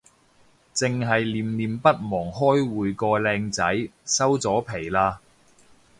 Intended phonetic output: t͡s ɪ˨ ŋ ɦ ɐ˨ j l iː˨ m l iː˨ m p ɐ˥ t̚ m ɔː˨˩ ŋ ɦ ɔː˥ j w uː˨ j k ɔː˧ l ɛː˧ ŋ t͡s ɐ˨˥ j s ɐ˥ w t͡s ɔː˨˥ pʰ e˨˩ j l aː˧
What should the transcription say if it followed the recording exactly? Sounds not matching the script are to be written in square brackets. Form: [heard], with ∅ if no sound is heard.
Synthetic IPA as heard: t͡s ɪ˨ ŋ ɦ ɐ˨ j l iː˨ m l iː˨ m p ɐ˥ t̚ m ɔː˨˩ ŋ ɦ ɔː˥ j w uː˨ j k ɔː˧ l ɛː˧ ŋ t͡s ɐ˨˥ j s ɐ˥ w t͡s ɔː˨˥ pʰ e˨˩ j l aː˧